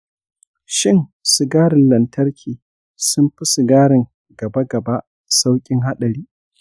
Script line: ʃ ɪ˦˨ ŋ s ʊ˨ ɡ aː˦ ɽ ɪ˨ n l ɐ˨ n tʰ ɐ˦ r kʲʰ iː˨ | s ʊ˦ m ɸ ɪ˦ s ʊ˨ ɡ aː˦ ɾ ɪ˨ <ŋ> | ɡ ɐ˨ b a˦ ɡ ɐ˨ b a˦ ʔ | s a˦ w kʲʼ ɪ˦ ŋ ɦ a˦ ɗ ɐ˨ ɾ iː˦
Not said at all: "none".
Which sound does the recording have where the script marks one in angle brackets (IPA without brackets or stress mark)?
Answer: ŋ